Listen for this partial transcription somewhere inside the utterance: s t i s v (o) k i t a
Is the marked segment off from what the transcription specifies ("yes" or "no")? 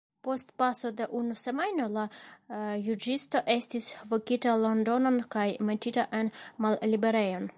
no